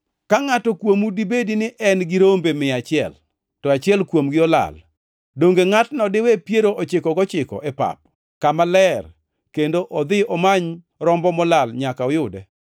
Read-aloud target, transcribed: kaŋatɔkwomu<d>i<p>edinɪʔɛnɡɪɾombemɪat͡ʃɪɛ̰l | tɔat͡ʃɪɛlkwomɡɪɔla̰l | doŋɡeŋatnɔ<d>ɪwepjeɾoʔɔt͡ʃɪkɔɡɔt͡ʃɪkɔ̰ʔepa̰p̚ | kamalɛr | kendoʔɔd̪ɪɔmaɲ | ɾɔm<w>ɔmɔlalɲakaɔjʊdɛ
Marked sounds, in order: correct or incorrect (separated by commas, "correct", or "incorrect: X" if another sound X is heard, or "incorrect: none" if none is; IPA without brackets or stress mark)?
correct, incorrect: b, correct, incorrect: b